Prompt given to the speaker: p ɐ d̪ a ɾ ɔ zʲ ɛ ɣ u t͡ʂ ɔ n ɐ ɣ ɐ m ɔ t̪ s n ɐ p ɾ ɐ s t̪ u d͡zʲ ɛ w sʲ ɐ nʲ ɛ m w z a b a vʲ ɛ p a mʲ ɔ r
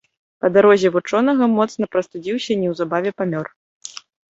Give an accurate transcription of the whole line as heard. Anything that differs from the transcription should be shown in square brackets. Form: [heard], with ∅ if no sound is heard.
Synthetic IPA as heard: p ɐ d̪ a ɾ ɔ zʲ ɛ [v] u t͡ʂ ɔ n ɐ ɣ ɐ m ɔ t̪ s n ɐ p ɾ ɐ s t̪ u d͡zʲ [i] w sʲ ɐ nʲ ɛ [∅] w z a b a vʲ ɛ p a mʲ ɔ r

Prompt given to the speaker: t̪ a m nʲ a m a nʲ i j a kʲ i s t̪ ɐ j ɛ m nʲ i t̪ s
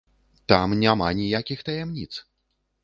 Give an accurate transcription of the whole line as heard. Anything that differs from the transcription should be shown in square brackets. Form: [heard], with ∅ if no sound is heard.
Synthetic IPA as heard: t̪ a m nʲ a m a nʲ i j a kʲ i [x] t̪ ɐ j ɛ m nʲ i t̪ s

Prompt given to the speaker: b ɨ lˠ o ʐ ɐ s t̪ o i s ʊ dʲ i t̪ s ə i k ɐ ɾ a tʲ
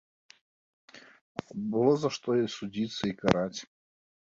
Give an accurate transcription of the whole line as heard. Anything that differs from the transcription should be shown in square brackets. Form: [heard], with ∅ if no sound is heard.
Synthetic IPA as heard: b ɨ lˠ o [z] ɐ [ʂ] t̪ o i s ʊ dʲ i t̪ s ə i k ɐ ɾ a tʲ

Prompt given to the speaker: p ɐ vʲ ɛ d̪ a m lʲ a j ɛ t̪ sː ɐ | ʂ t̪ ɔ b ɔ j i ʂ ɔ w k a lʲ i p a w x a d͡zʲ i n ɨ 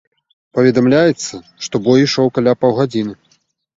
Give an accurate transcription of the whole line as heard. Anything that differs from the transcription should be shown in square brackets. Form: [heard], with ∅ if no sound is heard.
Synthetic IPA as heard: p ɐ vʲ ɛ d̪ a m lʲ a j ɛ t̪ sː ɐ | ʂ t̪ ɔ b ɔ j i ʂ ɔ w k a lʲ [a] p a w [ɣ] a d͡zʲ i n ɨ

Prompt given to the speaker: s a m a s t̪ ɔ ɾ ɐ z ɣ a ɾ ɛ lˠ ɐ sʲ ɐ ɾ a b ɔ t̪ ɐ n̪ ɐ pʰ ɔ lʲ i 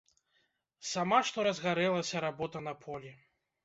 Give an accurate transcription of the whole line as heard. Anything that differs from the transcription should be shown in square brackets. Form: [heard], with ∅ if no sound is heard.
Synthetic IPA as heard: s a m a [ʂ] t̪ ɔ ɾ ɐ z ɣ a ɾ ɛ lˠ ɐ sʲ ɐ ɾ a b ɔ t̪ ɐ n̪ ɐ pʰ ɔ lʲ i

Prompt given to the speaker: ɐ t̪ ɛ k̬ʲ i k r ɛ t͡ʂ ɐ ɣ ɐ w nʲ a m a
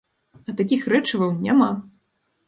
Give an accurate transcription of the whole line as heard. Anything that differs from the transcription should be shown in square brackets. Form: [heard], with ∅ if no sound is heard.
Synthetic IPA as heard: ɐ t̪ [a] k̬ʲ i [x] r ɛ t͡ʂ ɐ [v] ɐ w nʲ a m a

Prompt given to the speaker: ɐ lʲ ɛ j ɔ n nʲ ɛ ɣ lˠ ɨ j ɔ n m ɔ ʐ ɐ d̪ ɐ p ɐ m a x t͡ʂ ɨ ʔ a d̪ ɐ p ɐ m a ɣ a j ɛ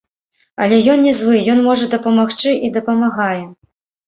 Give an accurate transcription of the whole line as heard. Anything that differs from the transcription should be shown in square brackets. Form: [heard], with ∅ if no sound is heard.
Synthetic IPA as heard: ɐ lʲ ɛ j ɔ n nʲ ɛ [z] lˠ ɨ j ɔ n m ɔ ʐ ɐ d̪ ɐ p ɐ m a x t͡ʂ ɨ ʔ [i] d̪ ɐ p ɐ m a ɣ a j ɛ

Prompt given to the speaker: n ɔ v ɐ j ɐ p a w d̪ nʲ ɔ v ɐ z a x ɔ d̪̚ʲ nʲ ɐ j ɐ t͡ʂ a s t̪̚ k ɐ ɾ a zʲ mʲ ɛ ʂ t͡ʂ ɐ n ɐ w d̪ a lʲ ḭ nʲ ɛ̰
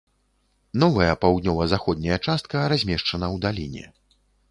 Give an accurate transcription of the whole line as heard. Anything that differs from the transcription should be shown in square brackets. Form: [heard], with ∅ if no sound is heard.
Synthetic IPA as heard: n ɔ v ɐ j ɐ p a w d̪ nʲ ɔ v ɐ z a x ɔ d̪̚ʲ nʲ ɐ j ɐ t͡ʂ a s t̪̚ k ɐ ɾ a zʲ mʲ ɛ ʂ t͡ʂ ɐ n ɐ w d̪ a lʲ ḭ nʲ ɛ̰

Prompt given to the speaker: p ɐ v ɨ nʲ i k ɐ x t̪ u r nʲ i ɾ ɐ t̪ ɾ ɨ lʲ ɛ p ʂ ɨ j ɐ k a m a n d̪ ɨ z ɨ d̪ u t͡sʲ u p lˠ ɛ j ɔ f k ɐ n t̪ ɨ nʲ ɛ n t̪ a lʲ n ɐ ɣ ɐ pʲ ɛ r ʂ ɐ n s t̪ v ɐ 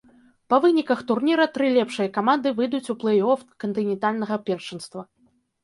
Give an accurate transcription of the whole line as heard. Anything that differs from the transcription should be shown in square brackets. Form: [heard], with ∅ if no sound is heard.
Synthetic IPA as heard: p ɐ v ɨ nʲ i k ɐ x t̪ u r nʲ i ɾ ɐ t̪ ɾ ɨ lʲ ɛ p ʂ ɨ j ɐ k a m a n d̪ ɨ [v] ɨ d̪ u t͡sʲ u p lˠ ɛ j ɔ f k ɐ n t̪ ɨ nʲ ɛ n t̪ a lʲ n ɐ ɣ ɐ pʲ ɛ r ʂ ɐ n s t̪ v ɐ

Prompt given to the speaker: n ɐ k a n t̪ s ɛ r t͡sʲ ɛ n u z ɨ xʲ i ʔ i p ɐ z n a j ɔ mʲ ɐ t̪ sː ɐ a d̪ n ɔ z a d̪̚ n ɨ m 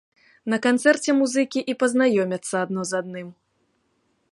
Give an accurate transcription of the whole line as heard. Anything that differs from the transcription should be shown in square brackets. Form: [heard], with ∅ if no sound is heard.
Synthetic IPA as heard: n ɐ k a n t̪ s ɛ r t͡sʲ ɛ [m] u z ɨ [kʲ] i ʔ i p ɐ z n a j ɔ mʲ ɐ t̪ sː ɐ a d̪ n ɔ z a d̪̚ n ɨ m

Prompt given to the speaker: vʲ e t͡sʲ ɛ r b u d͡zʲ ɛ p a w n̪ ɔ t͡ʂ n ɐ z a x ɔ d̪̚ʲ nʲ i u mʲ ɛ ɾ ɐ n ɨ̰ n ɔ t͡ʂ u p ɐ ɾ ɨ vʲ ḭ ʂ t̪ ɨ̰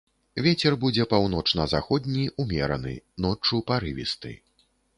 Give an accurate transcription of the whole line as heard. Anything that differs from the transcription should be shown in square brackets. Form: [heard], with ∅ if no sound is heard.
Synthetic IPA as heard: vʲ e t͡sʲ ɛ r b u d͡zʲ ɛ p a w n̪ ɔ t͡ʂ n ɐ z a x ɔ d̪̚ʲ nʲ i u mʲ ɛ ɾ ɐ n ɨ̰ n ɔ t͡ʂ u p [a] ɾ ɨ vʲ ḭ [s] t̪ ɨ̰

